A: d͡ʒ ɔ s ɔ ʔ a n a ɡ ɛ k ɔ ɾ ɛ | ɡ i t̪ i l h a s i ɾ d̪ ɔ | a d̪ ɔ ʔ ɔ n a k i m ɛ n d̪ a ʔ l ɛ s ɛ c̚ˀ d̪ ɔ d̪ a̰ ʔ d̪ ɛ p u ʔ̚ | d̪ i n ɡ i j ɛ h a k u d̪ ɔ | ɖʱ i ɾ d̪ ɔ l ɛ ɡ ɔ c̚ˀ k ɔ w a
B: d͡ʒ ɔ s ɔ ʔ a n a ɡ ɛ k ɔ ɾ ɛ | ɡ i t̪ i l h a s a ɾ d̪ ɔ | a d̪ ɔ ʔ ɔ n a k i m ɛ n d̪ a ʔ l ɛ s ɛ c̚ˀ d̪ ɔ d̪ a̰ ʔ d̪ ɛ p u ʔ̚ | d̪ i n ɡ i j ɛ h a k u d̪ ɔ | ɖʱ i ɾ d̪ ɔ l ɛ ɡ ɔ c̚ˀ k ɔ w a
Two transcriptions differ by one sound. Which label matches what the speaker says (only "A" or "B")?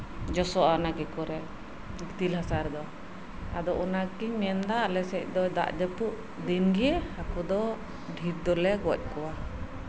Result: B